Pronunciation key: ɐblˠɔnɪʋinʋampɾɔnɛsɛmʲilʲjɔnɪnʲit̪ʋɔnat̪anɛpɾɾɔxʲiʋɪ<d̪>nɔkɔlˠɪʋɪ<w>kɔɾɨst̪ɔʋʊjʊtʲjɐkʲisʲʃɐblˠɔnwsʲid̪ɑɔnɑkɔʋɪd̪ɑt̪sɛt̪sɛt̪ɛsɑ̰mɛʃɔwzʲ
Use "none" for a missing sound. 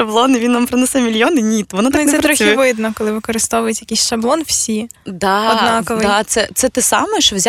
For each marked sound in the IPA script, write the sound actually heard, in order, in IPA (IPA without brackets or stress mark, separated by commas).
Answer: d̪, none